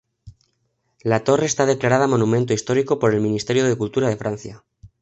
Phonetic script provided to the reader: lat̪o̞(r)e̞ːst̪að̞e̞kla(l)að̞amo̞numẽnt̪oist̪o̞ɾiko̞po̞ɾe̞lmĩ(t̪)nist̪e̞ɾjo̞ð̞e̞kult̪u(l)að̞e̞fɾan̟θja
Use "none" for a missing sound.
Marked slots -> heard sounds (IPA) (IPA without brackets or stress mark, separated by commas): r, ɾ, none, ɾ